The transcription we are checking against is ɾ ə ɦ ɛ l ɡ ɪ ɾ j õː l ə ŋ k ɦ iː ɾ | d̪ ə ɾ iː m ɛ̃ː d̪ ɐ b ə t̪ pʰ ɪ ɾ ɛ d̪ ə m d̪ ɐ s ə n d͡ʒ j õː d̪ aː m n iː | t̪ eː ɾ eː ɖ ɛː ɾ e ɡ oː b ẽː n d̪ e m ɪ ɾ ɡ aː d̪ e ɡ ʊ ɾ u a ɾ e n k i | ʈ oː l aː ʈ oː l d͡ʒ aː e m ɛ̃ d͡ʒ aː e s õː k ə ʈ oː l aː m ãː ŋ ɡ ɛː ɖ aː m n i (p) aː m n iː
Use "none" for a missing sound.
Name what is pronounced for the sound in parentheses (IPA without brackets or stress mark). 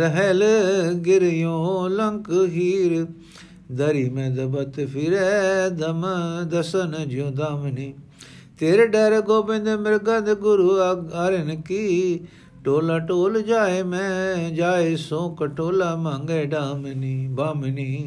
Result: b